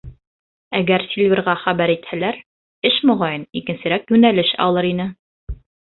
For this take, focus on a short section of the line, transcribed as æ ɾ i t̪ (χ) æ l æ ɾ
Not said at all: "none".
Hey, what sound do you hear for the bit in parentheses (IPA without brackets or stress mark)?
h